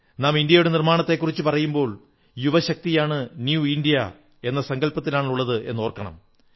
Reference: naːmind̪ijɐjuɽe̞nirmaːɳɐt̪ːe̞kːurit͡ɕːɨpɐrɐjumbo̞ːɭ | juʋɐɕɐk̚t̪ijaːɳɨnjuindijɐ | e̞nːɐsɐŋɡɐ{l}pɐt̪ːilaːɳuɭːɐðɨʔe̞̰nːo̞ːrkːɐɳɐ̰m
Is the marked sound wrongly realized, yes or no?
no